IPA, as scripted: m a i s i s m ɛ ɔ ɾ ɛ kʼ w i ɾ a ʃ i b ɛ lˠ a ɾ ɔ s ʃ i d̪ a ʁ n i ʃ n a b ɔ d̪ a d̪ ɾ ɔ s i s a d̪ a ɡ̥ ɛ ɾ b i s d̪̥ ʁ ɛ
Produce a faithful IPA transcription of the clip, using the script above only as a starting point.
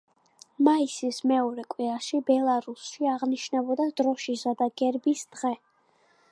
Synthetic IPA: m a i s i s m ɛ ɔ ɾ ɛ kʼ w i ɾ a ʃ i b ɛ lˠ a ɾ u s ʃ i a ʁ n i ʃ n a b ɔ d̪ a d̪ ɾ ɔ ʃ i s a d̪ a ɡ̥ ɛ ɾ b i s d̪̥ ʁ ɛ